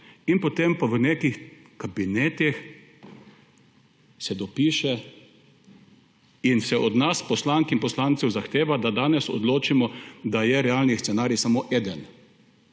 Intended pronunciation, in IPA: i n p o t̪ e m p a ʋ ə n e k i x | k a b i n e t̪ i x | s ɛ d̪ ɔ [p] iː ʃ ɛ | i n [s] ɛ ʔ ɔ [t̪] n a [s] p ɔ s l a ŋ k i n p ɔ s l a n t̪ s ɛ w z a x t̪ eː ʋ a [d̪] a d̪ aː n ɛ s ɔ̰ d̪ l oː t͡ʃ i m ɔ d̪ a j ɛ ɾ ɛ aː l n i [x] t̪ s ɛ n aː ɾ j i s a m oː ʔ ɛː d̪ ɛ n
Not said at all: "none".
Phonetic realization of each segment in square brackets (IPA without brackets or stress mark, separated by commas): p, s, d̪, s, d̪, s